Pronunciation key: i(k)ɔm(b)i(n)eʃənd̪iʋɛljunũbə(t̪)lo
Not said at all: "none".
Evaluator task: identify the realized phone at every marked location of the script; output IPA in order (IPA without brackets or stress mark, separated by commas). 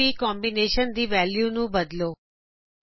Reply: k, b, n, d̪